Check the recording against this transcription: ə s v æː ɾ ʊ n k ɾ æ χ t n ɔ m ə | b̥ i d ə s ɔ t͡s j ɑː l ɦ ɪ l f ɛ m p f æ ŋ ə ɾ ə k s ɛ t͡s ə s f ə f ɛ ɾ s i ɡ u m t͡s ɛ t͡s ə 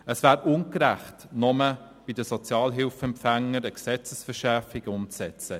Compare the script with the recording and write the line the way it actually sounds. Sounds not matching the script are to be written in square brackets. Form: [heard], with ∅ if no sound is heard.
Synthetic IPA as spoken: ə s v æː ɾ ʊ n k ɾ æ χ t n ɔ m ə | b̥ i d ə s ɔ t͡s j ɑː l ɦ ɪ l f ɛ m p f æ ŋ ə ɾ ə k s ɛ t͡s ə s f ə [ʃ] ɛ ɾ [f] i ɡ [ʊ] m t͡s ɛ t͡s ə